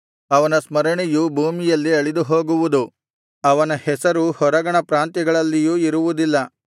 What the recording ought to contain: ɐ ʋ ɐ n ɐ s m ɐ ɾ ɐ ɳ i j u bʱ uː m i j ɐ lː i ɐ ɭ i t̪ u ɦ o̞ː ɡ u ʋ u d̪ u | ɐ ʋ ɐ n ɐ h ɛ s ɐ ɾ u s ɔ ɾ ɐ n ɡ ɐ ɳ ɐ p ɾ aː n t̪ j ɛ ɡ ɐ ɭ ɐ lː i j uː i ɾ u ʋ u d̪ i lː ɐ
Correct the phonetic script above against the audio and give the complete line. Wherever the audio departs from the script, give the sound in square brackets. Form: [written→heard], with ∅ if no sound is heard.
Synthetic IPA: ɐ ʋ ɐ n ɐ s m ɐ ɾ ɐ ɳ i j u bʱ uː m i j ɐ lː i ɐ ɭ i [t̪→d̪] u ɦ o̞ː ɡ u ʋ u d̪ u | ɐ ʋ ɐ n ɐ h ɛ s ɐ ɾ u [s→h] ɔ ɾ ɐ [n→∅] ɡ ɐ ɳ ɐ p ɾ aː n t̪ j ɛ ɡ ɐ ɭ ɐ lː i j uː i ɾ u ʋ u d̪ i lː ɐ

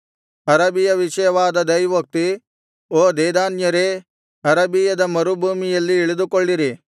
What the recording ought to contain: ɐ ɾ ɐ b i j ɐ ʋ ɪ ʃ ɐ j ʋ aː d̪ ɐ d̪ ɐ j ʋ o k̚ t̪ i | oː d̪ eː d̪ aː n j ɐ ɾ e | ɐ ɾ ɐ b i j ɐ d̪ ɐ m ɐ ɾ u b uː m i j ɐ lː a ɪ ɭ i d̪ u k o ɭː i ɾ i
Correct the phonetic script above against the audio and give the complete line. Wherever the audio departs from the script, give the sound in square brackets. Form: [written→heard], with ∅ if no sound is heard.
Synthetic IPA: ɐ ɾ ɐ b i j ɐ ʋ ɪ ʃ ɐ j ʋ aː d̪ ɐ d̪ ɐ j ʋ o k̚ t̪ i | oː d̪ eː d̪ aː n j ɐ ɾ e | ɐ ɾ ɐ b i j ɐ d̪ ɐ m ɐ ɾ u b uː m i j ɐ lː [a→i] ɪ ɭ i d̪ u k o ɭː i ɾ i

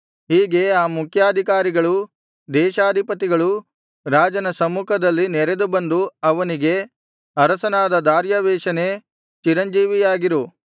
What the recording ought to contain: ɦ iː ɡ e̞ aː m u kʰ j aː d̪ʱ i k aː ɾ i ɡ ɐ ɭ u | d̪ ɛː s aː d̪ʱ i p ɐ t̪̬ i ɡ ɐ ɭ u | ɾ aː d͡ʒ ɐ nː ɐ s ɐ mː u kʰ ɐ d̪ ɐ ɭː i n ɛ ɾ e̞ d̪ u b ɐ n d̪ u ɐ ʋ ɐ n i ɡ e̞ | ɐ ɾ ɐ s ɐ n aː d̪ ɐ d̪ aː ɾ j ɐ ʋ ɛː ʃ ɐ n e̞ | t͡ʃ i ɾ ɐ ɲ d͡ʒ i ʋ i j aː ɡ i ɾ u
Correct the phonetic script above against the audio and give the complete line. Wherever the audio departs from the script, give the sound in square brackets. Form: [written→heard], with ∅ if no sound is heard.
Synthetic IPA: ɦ iː ɡ e̞ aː m u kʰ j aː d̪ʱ i k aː ɾ i ɡ ɐ ɭ u | d̪ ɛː [s→ʃ] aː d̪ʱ i p ɐ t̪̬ i ɡ ɐ ɭ u | ɾ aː d͡ʒ ɐ [nː→n] ɐ s ɐ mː u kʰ ɐ d̪ ɐ [ɭː→lː] i n ɛ ɾ e̞ d̪ u b ɐ n d̪ u ɐ ʋ ɐ n i ɡ e̞ | ɐ ɾ ɐ s ɐ n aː d̪ ɐ d̪ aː ɾ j ɐ ʋ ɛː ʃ ɐ n e̞ | t͡ʃ i ɾ ɐ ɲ d͡ʒ [i→iː] ʋ i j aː ɡ i ɾ u

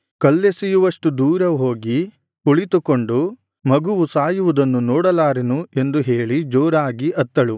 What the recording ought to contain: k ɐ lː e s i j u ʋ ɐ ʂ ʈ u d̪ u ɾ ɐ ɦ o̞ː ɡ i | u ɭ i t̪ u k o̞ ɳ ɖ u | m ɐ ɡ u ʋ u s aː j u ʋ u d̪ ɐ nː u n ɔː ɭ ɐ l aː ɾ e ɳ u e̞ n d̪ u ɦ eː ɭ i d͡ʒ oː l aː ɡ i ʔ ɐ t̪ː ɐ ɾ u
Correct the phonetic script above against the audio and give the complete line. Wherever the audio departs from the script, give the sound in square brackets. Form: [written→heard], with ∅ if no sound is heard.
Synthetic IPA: k ɐ lː e s i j u ʋ ɐ ʂ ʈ u d̪ [u→uː] ɾ ɐ ɦ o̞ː ɡ i | u ɭ i t̪ u k o̞ ɳ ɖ u | m ɐ ɡ u ʋ u s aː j u ʋ u d̪ ɐ nː u n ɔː [ɭ→ɽ] ɐ l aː ɾ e [ɳ→n] u e̞ n d̪ u ɦ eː ɭ i d͡ʒ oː [l→ɾ] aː ɡ i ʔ ɐ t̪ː ɐ [ɾ→ɭ] u

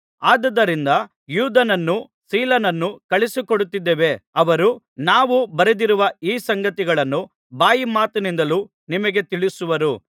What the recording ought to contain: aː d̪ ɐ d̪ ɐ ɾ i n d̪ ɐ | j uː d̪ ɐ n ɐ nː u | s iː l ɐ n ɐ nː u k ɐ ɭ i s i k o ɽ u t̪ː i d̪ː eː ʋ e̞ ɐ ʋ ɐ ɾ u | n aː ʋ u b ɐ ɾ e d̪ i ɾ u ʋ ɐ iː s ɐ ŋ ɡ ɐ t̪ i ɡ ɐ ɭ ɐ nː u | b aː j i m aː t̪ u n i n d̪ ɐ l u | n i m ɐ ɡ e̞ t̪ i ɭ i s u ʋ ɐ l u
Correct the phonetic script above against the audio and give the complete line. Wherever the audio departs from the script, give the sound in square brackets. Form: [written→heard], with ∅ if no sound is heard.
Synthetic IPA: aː d̪ ɐ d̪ ɐ ɾ i n d̪ ɐ | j uː d̪ ɐ n ɐ nː u | s iː l ɐ n ɐ nː u k ɐ ɭ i s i k o ɽ u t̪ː i d̪ː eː ʋ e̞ ɐ ʋ ɐ ɾ u | n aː ʋ u b ɐ ɾ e d̪ i ɾ u ʋ ɐ iː s ɐ ŋ ɡ ɐ t̪ i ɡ ɐ ɭ ɐ nː u | b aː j i m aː t̪ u n i n d̪ ɐ l u | n i m ɐ ɡ e̞ t̪ i ɭ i s u ʋ ɐ [l→ɾ] u

